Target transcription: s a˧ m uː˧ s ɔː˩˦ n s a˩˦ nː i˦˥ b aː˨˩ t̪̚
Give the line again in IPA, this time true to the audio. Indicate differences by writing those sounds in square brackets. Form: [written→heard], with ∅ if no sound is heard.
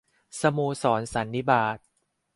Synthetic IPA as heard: s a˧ m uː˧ s ɔː˩˦ n s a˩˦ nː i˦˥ b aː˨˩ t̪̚